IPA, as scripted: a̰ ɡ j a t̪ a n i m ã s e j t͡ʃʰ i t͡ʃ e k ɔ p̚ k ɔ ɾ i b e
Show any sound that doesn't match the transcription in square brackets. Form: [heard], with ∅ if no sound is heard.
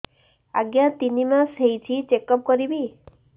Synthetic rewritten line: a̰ ɡ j a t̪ [i] n i m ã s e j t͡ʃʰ i t͡ʃ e k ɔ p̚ k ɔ ɾ i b [i]